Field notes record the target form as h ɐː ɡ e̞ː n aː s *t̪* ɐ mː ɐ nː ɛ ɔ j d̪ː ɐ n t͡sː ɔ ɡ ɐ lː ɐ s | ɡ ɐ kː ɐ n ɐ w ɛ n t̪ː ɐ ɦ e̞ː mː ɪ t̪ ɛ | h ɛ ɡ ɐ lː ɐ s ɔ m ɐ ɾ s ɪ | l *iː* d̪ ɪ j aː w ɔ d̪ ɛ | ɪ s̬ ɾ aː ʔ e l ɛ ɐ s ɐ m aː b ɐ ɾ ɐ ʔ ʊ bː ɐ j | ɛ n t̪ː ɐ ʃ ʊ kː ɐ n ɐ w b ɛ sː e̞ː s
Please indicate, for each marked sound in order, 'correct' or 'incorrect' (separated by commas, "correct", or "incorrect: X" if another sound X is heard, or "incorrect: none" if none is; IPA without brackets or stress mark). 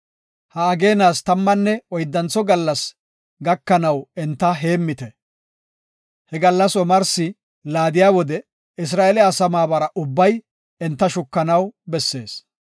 correct, incorrect: aː